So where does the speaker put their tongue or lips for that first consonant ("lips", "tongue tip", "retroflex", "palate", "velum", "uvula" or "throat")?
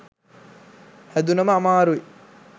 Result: throat